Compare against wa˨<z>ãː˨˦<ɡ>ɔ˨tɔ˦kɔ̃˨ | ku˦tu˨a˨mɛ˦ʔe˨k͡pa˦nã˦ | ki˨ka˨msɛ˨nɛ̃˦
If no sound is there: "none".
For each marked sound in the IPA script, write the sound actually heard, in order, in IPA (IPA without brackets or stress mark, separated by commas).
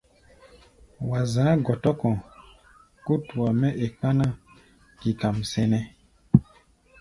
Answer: z, ɡ